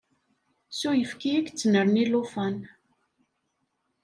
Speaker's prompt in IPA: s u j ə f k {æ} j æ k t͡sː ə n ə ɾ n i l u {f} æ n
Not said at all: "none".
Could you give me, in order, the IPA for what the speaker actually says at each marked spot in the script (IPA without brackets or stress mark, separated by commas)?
i, f